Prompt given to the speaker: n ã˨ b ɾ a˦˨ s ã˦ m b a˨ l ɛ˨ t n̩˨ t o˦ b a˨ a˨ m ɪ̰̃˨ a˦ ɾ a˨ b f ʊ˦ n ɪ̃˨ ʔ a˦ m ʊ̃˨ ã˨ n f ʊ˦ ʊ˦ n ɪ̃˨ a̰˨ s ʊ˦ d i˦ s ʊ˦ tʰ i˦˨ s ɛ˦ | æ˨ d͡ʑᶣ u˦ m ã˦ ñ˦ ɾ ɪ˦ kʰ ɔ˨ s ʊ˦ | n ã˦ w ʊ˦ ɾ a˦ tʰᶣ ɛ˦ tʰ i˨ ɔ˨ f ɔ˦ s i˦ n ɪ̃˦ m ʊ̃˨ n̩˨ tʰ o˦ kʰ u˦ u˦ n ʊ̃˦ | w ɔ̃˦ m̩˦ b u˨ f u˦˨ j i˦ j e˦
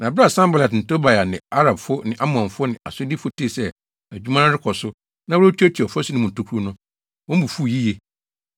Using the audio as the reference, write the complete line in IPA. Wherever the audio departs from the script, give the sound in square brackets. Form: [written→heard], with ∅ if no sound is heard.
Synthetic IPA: n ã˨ b ɾ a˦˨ s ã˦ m b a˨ l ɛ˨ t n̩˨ t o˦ b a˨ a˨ [m→n] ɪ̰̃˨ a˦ ɾ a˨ b f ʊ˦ n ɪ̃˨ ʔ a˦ m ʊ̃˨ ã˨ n f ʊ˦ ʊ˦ n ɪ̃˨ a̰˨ s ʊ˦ d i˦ [s→f] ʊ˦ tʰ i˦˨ s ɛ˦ | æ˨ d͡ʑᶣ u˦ m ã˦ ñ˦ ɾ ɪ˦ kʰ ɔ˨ s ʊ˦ | n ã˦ w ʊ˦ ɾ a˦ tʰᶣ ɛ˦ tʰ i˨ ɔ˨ f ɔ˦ s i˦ n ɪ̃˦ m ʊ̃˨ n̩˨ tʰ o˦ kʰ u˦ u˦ n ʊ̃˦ | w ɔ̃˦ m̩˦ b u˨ f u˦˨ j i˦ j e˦